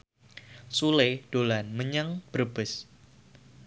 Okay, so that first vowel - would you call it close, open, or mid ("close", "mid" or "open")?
close